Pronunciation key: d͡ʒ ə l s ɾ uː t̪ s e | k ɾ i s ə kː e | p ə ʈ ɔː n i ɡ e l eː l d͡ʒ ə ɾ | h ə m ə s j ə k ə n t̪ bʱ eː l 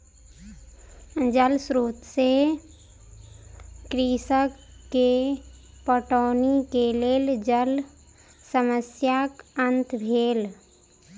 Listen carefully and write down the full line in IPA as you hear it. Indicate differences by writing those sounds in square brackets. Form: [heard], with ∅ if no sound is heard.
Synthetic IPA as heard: d͡ʒ ə l s ɾ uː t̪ s e | k ɾ i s ə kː e | p ə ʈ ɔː n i [k] e l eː l d͡ʒ ə [l] | [s] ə m ə s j [a] k ə n t̪ bʱ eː l